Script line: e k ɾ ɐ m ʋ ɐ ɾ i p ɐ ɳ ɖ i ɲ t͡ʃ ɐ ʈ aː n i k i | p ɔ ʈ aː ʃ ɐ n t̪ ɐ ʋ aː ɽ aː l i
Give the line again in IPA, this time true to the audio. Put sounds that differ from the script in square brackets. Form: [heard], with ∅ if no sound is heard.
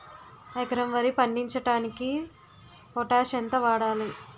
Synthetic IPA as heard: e k ɾ ɐ m ʋ ɐ ɾ i p ɐ ɳ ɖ i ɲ t͡ʃ ɐ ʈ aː n i k i | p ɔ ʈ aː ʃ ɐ n t̪ ɐ ʋ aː ɽ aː l i